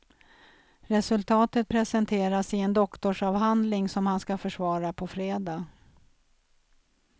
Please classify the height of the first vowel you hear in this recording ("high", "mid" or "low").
mid